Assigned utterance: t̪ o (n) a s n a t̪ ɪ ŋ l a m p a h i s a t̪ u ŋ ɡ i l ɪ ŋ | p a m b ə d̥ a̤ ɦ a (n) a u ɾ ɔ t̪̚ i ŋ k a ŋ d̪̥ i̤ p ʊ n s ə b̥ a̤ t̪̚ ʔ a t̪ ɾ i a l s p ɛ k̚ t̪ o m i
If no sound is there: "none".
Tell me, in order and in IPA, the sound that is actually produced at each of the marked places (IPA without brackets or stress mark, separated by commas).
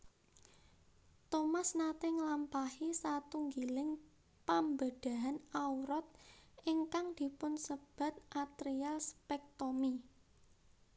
m, n